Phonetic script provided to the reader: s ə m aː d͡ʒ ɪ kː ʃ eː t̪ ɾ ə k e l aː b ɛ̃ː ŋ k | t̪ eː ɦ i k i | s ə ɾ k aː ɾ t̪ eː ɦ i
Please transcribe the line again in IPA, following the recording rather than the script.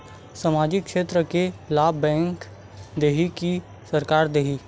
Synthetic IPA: s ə m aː d͡ʒ ɪ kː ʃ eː t̪ ɾ ə k e l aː b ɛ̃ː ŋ k | d̪ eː ɦ i k i | s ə ɾ k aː ɾ d̪ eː ɦ i